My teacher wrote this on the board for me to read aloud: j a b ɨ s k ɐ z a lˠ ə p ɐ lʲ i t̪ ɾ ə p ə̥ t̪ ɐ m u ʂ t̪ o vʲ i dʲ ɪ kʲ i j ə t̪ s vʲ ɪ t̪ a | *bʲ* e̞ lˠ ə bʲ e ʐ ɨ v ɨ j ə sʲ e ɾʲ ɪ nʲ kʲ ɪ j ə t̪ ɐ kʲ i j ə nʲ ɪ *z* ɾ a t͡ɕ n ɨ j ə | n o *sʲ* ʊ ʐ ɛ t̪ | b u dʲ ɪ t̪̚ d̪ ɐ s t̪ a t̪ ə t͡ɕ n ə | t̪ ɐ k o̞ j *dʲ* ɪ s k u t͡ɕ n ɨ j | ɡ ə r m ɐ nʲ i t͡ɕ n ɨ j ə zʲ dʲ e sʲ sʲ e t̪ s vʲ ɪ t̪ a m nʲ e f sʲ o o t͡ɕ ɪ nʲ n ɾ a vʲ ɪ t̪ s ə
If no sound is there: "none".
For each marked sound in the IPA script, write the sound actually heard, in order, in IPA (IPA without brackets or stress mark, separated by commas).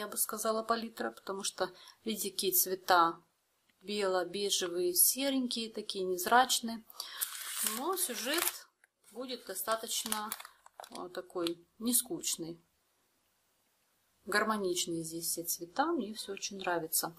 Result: bʲ, z, sʲ, nʲ